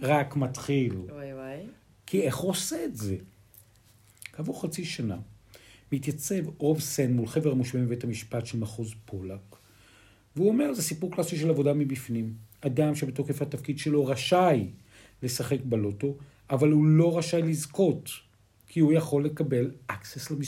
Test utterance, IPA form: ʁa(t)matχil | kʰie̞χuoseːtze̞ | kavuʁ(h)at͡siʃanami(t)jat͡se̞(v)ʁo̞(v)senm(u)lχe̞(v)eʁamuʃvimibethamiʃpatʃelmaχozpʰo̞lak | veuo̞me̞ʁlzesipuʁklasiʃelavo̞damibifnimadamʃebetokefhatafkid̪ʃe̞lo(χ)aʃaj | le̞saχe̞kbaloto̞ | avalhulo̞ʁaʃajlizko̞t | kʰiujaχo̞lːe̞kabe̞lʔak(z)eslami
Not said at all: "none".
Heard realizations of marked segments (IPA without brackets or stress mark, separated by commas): k, χ, t, v, v, u, v, ʁ, s